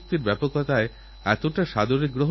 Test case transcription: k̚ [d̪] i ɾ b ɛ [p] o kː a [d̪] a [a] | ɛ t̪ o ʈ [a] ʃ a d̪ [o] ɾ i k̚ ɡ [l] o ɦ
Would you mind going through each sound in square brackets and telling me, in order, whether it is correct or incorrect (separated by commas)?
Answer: incorrect, correct, incorrect, incorrect, correct, correct, incorrect